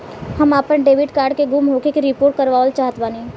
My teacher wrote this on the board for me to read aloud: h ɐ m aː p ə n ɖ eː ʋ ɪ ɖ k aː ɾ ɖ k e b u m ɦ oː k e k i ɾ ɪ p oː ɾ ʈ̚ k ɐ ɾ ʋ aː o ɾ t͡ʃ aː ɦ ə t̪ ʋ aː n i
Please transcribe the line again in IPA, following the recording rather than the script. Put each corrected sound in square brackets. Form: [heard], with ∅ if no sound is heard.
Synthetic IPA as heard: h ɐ m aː p ə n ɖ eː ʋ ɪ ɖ k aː ɾ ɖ k e [ɡ] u m ɦ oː k e k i ɾ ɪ p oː ɾ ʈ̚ k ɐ ɾ ʋ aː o [l] t͡ʃ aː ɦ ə t̪ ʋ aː n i

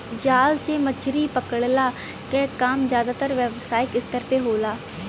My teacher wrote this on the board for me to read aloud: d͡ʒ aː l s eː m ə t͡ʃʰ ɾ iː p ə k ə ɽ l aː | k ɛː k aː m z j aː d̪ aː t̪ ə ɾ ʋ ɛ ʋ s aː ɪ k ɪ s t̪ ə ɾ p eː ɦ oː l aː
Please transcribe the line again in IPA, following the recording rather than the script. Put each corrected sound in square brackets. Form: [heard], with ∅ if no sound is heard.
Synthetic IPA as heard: d͡ʒ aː l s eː m ə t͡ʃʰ ɾ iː p ə k ə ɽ l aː | k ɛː k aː m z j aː d̪ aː t̪ ə ɾ ʋ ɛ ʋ s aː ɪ k ɪ s t̪ ə ɾ p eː ɦ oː l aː

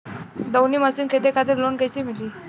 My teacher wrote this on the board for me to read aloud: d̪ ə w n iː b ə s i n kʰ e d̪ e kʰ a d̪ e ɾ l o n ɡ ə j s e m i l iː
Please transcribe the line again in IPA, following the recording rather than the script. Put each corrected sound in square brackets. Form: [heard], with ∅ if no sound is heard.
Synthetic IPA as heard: d̪ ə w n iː [m] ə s i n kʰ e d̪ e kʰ a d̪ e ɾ l o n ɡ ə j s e m i l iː

